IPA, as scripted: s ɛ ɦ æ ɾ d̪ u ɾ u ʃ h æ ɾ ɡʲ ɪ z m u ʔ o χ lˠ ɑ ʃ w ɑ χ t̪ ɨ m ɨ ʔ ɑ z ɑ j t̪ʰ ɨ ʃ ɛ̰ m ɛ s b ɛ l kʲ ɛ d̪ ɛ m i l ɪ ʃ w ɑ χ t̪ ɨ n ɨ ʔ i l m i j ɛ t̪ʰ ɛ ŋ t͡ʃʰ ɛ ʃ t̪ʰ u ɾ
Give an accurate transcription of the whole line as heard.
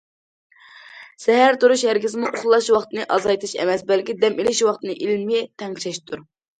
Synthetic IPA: s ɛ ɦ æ ɾ t̪ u ɾ u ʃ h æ ɾ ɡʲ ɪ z m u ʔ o χ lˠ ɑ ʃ w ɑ χ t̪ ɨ n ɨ ʔ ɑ z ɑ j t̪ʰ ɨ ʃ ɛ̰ m ɛ s b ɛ l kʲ i d̪ ɛ m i l ɪ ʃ w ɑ χ t̪ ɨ n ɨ ʔ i l m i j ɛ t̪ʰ ɛ ŋ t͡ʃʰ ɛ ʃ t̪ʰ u ɾ